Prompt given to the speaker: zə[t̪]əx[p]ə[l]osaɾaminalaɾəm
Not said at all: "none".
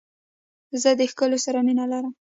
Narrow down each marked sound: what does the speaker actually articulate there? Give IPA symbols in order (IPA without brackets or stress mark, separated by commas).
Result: d̪, k, l